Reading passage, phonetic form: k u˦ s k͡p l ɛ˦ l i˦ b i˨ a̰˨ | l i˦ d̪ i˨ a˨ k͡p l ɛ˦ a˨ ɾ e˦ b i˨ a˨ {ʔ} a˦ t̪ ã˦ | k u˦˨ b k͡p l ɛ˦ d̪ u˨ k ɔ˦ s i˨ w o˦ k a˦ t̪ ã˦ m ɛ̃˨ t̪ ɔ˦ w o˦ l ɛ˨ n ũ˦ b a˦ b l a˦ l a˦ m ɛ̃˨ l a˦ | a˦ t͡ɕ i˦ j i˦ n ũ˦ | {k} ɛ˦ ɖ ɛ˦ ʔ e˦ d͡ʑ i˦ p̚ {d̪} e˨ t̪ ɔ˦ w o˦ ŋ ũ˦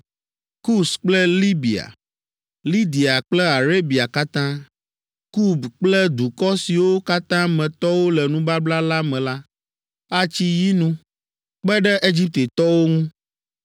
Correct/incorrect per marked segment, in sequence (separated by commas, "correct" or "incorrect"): incorrect, incorrect, incorrect